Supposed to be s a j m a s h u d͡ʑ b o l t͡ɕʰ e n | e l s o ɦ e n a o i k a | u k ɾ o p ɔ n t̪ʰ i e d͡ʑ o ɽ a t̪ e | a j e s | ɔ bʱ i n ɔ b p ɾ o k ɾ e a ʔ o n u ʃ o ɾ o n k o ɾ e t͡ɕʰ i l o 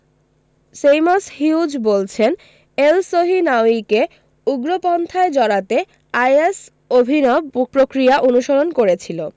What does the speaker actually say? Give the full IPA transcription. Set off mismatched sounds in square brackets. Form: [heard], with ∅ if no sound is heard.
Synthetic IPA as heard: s [e] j m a s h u d͡ʑ b o l t͡ɕʰ e n | e l s o ɦ [i] n a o i k [e] | u [ɡ] ɾ o p ɔ n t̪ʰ [a] e d͡ʑ [ɔ] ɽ a t̪ e | a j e s | [o] bʱ i n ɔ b p ɾ o k ɾ [i] a ʔ o n u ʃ o ɾ o n k o ɾ e t͡ɕʰ i l o